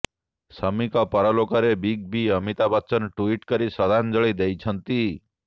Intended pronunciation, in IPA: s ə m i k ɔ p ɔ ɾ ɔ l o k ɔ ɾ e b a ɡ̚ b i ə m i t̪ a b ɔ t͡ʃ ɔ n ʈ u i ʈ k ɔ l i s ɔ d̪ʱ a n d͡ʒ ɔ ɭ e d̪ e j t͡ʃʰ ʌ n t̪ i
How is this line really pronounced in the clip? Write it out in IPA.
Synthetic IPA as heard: s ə m i k ɔ p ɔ ɾ ɔ l o k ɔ ɾ e b i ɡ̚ b i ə m i t̪ a b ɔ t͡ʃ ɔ n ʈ u i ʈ k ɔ ɾ i s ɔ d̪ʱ a n d͡ʒ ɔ ɭ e d̪ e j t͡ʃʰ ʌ n t̪ i